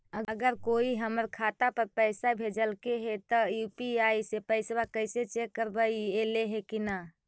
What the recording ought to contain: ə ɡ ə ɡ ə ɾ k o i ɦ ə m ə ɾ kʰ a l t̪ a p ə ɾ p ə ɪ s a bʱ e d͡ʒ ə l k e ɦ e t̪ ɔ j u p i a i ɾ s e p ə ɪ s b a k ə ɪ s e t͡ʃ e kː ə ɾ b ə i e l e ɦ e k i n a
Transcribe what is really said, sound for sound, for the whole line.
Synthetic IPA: ə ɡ ə ɡ ə ɾ k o i ɦ ə m ə ɾ kʰ a t̪ a p ə ɾ p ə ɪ s a bʱ e d͡ʒ ə l k e ɦ e t̪ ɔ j u p i a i s e p ə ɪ s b a k ə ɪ s e t͡ʃ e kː ə ɾ b ə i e l e ɦ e k i n a